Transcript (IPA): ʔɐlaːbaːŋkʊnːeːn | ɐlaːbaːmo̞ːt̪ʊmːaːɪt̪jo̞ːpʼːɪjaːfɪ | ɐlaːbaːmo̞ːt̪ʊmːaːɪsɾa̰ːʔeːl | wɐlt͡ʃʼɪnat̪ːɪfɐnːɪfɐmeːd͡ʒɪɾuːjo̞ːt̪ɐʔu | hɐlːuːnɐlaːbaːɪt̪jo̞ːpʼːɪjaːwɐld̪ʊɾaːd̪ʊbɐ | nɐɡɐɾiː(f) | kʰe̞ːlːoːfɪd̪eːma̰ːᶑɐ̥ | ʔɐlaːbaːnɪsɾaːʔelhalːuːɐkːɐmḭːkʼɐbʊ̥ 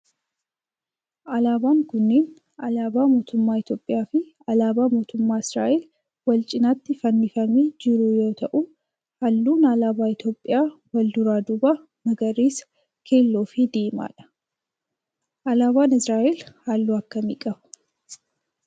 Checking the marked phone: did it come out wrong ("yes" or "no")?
yes